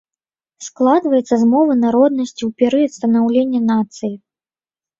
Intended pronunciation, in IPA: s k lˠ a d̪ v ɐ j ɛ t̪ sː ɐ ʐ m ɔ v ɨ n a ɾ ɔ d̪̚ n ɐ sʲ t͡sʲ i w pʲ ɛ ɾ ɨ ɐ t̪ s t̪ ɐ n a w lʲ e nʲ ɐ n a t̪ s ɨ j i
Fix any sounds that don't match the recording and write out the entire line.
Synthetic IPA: s k lˠ a d̪ v ɐ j ɛ t̪ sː ɐ z m ɔ v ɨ n a ɾ ɔ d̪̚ n ɐ sʲ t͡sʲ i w pʲ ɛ ɾ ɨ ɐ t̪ s t̪ ɐ n a w lʲ e nʲː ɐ n a t̪ s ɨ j i

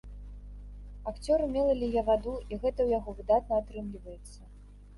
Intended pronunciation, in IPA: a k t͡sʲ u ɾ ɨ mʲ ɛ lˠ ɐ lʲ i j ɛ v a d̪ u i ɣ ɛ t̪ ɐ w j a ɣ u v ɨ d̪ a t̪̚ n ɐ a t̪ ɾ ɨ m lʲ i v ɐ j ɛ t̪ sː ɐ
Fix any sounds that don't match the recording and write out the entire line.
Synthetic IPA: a k t͡sʲ ɔ ɾ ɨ mʲ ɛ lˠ ɐ lʲ i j ɛ v a d̪ u i ɣ ɛ t̪ ɐ w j a ɣ ɔ v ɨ d̪ a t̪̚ n ɐ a t̪ ɾ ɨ m lʲ i v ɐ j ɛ t̪ sː ɐ

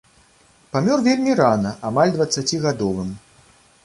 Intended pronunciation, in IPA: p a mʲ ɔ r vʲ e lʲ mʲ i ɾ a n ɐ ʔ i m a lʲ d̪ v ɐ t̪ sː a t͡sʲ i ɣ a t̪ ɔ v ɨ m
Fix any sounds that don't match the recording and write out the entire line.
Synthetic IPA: p a mʲ ɔ r vʲ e lʲ mʲ i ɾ a n ɐ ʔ a m a lʲ d̪ v ɐ t̪ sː a t͡sʲ i ɣ a d̪ ɔ v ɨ m

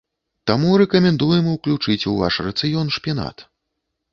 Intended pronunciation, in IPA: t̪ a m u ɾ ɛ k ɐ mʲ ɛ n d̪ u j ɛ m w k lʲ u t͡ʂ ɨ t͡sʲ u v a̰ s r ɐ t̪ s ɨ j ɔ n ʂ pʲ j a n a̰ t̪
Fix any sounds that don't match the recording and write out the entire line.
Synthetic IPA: t̪ a m u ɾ ɛ k ɐ mʲ ɛ n d̪ u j ɛ m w k lʲ u t͡ʂ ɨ t͡sʲ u v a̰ ʂ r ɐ t̪ s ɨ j ɔ n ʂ pʲ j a n a̰ t̪

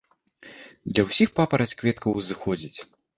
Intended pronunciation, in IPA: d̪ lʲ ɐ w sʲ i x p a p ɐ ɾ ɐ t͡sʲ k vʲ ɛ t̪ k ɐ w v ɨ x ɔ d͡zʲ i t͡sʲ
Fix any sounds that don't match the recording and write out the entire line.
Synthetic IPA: d̪ lʲ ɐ w sʲ i x p a p ɐ ɾ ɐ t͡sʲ k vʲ ɛ t̪ k ɐ w z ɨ x ɔ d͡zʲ i t͡sʲ

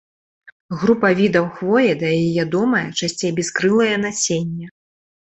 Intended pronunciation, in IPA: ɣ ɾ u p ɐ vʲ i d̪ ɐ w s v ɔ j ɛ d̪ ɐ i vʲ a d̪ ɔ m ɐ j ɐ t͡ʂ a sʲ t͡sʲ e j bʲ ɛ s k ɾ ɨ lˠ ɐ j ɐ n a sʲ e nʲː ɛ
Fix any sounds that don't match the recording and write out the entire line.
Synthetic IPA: ɣ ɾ u p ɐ vʲ i d̪ ɐ w x v ɔ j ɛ d̪ ɐ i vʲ a d̪ ɔ m ɐ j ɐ t͡ʂ a sʲ t͡sʲ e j bʲ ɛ s k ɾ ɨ lˠ ɐ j ɐ n a sʲ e nʲː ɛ

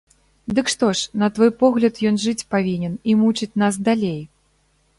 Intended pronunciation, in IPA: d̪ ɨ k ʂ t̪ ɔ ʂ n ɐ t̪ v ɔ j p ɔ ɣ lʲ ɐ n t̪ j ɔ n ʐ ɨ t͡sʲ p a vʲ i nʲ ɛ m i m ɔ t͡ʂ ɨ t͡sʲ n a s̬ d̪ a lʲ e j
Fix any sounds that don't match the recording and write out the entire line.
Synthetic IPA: d̪ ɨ k ʂ t̪ ɔ ʂ n ɐ t̪ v ɔ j p ɔ ɣ lʲ ɐ t̪ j ɔ n ʐ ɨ t͡sʲ p a vʲ i nʲ ɛ n i m u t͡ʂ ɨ t͡sʲ n a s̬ d̪ a lʲ e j

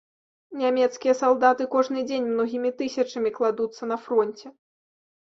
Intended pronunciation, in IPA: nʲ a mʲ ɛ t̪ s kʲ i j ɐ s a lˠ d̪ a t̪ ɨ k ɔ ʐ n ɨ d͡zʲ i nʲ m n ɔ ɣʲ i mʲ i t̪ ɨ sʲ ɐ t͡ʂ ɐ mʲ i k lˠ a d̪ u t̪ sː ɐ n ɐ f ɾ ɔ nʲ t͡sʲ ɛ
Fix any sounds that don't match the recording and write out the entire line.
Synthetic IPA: nʲ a mʲ ɛ t̪ s kʲ i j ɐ s a lˠ d̪ a t̪ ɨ k ɔ ʐ n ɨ d͡zʲ e nʲ m n ɔ ɣʲ i mʲ i t̪ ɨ sʲ ɐ t͡ʂ ɐ mʲ i k lˠ a d̪ u t̪ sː ɐ n ɐ f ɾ ɔ nʲ t͡sʲ ɛ

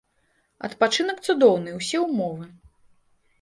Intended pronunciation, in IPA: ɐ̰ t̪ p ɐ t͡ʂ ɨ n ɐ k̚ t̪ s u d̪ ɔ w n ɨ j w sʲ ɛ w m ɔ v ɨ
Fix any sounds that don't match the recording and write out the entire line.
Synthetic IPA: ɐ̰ t̪ p a t͡ʂ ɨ n ɐ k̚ t̪ s u d̪ ɔ w n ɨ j w sʲ ɛ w m ɔ v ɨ

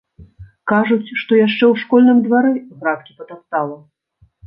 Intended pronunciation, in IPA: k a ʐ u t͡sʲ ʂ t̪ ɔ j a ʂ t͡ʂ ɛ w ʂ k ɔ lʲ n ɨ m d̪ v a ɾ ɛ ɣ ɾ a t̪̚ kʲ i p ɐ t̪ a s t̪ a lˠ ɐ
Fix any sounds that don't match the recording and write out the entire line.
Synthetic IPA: k a ʐ u t͡sʲ ʂ t̪ ɔ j a ʂ t͡ʂ ɛ w ʂ k ɔ lʲ n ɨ m d̪ v a ɾ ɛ ɣ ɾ a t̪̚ kʲ i p ɐ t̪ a s t̪ a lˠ ɐ

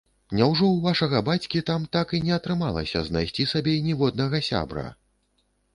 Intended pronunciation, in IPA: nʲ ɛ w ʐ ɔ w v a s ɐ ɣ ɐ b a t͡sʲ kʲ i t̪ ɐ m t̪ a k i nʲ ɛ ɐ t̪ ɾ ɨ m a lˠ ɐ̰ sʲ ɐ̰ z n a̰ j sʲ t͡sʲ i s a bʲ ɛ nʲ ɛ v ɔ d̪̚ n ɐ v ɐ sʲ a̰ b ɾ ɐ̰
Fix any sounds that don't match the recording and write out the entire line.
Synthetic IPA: nʲ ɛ w ʐ ɔ w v a ʂ ɐ ɣ ɐ b a t͡sʲ kʲ i t̪ a m t̪ a k i nʲ ɛ ɐ t̪ ɾ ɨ m a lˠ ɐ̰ sʲ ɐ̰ z n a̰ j sʲ t͡sʲ i s a bʲ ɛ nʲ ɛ v ɔ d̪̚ n ɐ ɣ ɐ sʲ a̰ b ɾ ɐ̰

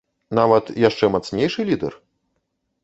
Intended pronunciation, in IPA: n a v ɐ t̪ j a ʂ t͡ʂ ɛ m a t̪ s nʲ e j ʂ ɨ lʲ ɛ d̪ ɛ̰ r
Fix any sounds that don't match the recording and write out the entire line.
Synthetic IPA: n a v ɐ t̪ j a ʂ t͡ʂ ɛ m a t̪ s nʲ e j ʂ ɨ lʲ i d̪ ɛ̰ r

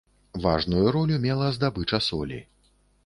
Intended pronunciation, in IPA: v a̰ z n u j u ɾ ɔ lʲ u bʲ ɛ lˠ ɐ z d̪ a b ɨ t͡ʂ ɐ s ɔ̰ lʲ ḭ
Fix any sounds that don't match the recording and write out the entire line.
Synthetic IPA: v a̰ ʐ n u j u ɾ ɔ lʲ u mʲ ɛ lˠ ɐ z d̪ a b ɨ t͡ʂ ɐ s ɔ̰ lʲ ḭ

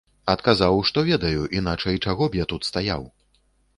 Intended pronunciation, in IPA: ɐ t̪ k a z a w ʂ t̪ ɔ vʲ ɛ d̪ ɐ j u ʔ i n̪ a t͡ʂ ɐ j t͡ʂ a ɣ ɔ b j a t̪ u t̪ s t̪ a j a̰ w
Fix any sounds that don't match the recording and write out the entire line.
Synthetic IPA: ɐ t̪ k a z a w ʂ t̪ ɔ vʲ ɛ d̪ ɐ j u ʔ i n̪ a t͡ʂ ɐ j t͡ʂ a ɣ ɔ b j a t̪ u t̪ s t̪ a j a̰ w

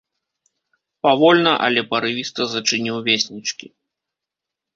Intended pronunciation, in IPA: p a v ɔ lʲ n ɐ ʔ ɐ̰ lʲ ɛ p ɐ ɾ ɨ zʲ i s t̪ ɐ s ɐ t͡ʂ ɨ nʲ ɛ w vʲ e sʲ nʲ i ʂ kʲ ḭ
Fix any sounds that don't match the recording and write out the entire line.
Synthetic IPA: p a v ɔ lʲ n ɐ ʔ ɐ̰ lʲ ɛ p ɐ ɾ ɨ vʲ i s t̪ ɐ z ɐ t͡ʂ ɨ nʲ i w vʲ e sʲ nʲ i t͡ʂ kʲ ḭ

